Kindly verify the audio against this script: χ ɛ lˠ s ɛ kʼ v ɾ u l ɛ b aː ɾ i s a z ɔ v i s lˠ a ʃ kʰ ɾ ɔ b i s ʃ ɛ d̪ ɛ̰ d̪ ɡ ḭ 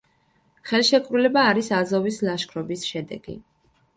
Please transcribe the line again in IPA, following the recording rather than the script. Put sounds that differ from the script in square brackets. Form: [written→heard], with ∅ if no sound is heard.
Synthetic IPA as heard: χ ɛ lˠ [s→ʃ] ɛ kʼ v ɾ u l ɛ b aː ɾ i s a z ɔ v i s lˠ a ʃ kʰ ɾ ɔ b i s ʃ ɛ d̪ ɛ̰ [d̪→∅] ɡ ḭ

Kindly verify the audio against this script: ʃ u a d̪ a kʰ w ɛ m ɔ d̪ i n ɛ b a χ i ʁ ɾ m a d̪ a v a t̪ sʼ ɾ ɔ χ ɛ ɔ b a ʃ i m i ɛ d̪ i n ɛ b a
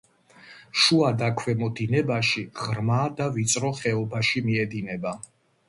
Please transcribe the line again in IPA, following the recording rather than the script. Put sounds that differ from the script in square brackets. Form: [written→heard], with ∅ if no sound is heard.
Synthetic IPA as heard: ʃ u a d̪ a kʰ w ɛ m ɔ d̪ i n ɛ b a [χ→ʃ] i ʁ ɾ m a d̪ a v [a→i] t̪ sʼ ɾ ɔ χ ɛ ɔ b a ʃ i m i ɛ d̪ i n ɛ b a

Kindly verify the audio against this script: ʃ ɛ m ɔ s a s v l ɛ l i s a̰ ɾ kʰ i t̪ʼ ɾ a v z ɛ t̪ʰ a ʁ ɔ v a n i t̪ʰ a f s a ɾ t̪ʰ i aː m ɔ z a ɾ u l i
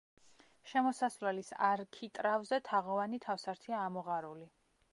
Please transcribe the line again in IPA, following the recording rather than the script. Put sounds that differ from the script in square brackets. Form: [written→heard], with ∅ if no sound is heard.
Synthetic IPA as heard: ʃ ɛ m ɔ s a s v l ɛ l i s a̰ ɾ kʰ i t̪ʼ ɾ a v z ɛ t̪ʰ a ʁ ɔ v a n i t̪ʰ a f s a ɾ t̪ʰ i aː m ɔ [z→ʁ] a ɾ u l i

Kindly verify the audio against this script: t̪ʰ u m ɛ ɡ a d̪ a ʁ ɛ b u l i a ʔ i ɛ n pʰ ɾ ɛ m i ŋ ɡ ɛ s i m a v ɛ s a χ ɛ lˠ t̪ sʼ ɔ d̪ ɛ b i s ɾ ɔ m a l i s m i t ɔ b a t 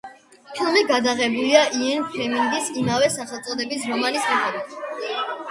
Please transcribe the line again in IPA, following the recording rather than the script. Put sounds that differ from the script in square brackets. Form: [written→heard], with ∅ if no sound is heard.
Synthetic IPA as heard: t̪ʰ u m ɛ ɡ a d̪ a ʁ ɛ b u l i a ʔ i ɛ n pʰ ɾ ɛ m i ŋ ɡ [ɛ→i] s i m a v ɛ s a χ ɛ lˠ t̪ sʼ ɔ d̪ ɛ b i s ɾ ɔ m a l i s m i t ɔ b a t

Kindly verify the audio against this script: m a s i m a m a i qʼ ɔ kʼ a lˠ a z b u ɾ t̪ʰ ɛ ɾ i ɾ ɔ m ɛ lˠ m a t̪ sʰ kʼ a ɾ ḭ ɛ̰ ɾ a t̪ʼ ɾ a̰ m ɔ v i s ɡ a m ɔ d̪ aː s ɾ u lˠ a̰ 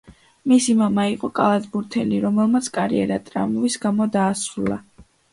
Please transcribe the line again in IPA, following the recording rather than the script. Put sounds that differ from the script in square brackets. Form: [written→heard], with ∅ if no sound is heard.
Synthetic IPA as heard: m [a→i] s i m a m a i qʼ ɔ kʼ a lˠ a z b u ɾ t̪ʰ ɛ [ɾ→l] i ɾ ɔ m ɛ lˠ m a t̪ sʰ kʼ a ɾ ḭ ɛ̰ ɾ a t̪ʼ ɾ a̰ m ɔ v i s ɡ a m ɔ d̪ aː s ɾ u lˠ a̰

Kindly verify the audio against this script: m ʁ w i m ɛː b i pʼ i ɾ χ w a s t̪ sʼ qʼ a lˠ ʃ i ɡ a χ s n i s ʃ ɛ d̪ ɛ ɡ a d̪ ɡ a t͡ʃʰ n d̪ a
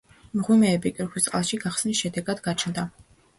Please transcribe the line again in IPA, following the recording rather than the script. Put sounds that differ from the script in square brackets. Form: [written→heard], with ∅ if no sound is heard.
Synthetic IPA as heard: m ʁ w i m ɛː b i [pʼ→kʼ] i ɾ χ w [a→i] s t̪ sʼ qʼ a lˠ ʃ i ɡ a χ s n i s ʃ ɛ d̪ ɛ ɡ a d̪ ɡ a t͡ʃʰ n d̪ a

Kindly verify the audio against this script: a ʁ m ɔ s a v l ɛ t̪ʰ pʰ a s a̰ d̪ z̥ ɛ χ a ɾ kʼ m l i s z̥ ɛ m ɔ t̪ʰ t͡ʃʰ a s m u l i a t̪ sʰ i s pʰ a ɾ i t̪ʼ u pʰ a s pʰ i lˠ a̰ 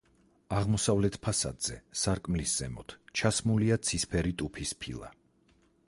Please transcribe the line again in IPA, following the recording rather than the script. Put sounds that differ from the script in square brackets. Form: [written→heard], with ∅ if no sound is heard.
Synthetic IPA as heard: a ʁ m ɔ s a v l ɛ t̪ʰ pʰ a s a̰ d̪ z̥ ɛ [χ→s] a ɾ kʼ m l i s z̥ ɛ m ɔ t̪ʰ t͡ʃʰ a s m u l i a t̪ sʰ i s pʰ [a→ɛ] ɾ i t̪ʼ u pʰ [a→i] s pʰ i lˠ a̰

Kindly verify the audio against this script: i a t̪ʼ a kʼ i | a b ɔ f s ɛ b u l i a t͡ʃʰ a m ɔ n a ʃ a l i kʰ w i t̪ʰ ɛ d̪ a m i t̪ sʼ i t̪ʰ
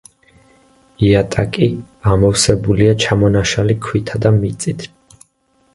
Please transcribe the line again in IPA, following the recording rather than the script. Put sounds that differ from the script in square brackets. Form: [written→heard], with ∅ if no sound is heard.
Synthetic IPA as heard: i a t̪ʼ a kʼ i | a [b→m] ɔ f s ɛ b u l i a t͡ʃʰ a m ɔ n a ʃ a l i kʰ w i t̪ʰ [ɛ→a] d̪ a m i t̪ sʼ i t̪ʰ

